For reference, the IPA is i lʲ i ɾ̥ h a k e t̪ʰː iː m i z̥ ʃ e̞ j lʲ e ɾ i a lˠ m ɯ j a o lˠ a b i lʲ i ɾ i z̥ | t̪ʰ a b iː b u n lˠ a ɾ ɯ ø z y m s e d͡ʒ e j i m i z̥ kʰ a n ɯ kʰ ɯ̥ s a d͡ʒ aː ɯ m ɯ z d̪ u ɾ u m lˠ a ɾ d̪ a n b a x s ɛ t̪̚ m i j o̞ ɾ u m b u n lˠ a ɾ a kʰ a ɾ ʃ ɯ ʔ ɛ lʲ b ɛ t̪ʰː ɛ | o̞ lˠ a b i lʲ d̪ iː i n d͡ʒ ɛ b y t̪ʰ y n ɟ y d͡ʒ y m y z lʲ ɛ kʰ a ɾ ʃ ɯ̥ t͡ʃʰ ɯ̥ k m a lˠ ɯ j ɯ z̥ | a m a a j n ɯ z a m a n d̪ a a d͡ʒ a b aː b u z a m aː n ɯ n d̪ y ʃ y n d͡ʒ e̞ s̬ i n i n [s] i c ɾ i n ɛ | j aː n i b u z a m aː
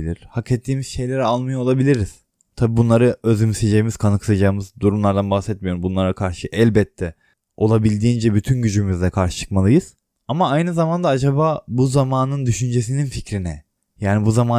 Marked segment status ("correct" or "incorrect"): incorrect